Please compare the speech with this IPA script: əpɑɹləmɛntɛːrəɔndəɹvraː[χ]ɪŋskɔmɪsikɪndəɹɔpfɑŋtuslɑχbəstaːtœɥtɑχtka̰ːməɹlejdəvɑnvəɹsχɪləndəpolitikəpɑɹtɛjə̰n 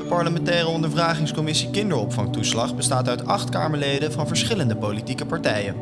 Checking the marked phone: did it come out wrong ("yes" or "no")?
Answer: no